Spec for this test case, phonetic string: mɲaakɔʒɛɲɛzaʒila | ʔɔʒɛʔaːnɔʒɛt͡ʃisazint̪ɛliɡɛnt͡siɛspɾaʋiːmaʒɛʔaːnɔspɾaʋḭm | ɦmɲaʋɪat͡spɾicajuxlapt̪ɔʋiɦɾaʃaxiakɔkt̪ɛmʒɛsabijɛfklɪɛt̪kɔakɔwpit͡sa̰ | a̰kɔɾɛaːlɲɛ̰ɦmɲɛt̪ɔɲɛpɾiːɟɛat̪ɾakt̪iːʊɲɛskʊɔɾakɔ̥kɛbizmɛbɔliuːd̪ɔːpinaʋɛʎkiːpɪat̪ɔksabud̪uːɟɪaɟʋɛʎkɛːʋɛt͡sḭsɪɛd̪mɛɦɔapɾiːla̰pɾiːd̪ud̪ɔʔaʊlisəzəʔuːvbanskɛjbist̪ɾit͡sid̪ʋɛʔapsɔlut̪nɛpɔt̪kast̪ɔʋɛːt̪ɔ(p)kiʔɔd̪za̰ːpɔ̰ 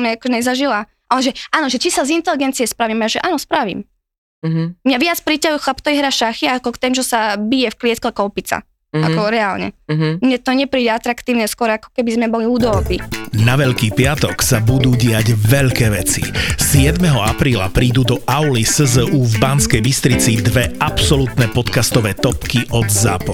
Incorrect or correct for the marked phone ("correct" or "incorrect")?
correct